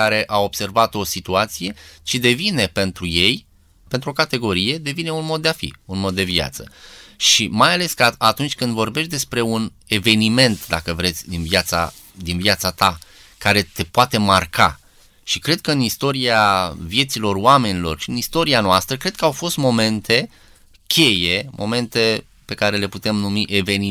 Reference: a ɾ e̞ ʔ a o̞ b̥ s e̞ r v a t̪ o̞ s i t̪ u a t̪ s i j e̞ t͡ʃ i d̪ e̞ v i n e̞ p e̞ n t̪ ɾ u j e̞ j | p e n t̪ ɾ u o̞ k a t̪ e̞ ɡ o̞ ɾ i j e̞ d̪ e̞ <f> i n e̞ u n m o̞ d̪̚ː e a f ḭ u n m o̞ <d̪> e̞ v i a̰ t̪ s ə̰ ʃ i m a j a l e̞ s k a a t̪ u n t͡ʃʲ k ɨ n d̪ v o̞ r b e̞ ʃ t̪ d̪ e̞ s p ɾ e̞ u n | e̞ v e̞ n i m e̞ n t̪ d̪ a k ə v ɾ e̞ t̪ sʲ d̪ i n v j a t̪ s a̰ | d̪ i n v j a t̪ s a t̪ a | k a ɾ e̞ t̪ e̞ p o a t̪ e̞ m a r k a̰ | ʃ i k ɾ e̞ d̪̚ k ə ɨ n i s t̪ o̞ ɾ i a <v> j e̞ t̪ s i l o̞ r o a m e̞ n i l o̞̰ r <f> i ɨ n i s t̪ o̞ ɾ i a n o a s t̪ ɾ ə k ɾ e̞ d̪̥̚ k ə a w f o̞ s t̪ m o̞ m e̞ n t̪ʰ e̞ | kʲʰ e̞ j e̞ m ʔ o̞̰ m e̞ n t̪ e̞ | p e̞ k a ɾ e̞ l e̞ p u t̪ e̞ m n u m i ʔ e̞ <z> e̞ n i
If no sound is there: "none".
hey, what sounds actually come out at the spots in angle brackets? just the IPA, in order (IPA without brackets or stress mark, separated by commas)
v, d̪ː, v, ʃ, v